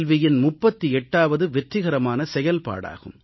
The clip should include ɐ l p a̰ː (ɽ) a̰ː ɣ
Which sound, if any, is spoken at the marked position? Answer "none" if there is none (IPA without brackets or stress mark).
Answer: ɽ